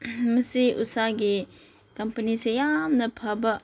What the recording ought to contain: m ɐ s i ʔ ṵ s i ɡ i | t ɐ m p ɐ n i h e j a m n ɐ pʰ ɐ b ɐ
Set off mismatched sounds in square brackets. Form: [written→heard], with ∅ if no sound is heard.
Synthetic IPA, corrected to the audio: m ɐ s i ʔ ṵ s [i→a] ɡ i | [t→k] ɐ m p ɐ n i [h→s] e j a m n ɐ pʰ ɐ b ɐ